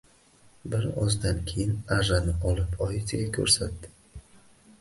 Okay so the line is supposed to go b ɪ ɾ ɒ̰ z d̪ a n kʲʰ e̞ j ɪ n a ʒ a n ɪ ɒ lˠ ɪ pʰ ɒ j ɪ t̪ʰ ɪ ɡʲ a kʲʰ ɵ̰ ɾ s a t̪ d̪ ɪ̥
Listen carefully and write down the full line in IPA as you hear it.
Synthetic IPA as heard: b ɪ ɾ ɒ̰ z d̪ a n kʲʰ e̞ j ɪ n a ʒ a n ɪ ɒ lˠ ɪ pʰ ɒ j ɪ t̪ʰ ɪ ɡʲ a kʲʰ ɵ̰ ɾ s a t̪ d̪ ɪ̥